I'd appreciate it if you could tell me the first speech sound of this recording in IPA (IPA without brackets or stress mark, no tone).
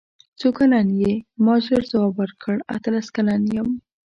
t͡s